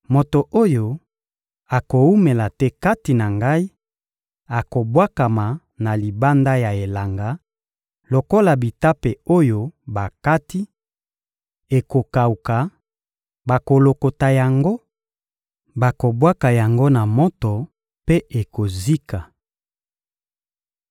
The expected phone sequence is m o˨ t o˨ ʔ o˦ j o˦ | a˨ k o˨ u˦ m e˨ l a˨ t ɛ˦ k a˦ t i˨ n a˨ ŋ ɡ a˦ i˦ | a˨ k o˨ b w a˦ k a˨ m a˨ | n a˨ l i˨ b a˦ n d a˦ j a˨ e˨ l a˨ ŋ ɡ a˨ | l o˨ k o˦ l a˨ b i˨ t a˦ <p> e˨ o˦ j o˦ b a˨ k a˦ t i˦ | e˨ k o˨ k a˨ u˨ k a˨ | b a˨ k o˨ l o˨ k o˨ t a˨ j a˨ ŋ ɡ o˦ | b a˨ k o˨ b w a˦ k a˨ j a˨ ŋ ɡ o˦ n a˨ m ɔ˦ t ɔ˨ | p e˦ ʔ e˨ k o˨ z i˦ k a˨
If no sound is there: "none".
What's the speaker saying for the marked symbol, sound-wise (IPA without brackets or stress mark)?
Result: p